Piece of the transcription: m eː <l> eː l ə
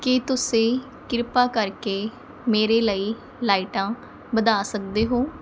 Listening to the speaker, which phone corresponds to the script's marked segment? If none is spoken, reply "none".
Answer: ɾ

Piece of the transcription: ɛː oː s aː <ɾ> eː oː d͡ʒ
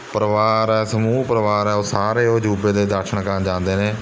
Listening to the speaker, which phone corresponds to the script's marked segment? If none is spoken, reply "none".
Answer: ɾ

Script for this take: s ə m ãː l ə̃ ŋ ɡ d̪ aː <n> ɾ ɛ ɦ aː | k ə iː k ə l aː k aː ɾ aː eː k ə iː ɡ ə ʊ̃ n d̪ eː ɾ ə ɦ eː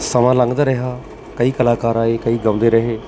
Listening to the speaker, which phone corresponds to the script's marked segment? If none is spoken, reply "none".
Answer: none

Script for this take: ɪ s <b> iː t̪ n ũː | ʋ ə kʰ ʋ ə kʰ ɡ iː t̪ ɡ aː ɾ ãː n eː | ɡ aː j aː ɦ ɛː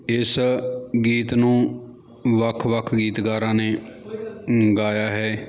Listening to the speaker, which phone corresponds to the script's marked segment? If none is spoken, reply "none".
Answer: ɡ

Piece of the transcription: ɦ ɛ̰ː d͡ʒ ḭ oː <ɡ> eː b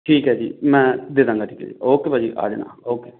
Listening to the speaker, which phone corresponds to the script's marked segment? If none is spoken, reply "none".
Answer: k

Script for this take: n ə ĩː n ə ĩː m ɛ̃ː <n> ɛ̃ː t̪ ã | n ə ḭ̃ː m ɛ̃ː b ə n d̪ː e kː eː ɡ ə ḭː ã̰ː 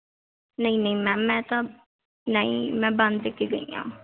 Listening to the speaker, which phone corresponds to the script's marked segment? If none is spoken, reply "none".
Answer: m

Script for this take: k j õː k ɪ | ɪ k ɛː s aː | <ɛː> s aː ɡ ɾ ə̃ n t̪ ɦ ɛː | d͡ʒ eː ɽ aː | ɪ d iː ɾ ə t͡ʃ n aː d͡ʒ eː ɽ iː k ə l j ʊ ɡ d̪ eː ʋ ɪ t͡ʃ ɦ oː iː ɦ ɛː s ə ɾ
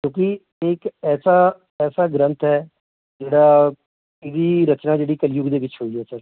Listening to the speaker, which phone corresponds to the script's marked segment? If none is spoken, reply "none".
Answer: ɛː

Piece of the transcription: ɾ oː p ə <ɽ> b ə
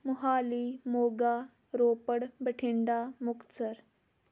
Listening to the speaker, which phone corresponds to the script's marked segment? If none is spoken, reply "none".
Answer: ɽ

